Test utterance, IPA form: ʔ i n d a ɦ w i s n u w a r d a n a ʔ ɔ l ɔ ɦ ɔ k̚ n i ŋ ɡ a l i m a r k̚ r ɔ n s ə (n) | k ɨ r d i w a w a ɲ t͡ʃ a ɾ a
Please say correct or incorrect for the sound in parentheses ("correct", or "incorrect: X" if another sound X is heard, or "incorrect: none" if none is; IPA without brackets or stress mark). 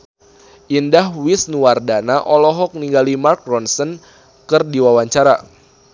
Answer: correct